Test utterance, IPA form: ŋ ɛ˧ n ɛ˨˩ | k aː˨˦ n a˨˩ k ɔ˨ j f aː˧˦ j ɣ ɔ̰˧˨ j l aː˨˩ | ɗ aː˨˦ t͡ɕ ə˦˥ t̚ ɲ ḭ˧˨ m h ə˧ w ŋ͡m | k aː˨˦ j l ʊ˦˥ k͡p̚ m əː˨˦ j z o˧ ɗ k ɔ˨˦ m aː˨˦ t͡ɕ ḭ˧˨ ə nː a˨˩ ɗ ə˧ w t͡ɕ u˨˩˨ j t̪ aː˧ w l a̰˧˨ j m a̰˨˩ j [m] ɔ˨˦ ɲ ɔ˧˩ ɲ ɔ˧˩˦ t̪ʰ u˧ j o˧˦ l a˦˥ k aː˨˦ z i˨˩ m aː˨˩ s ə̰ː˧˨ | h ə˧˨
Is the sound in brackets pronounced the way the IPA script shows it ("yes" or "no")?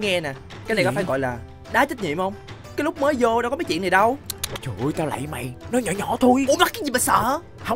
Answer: no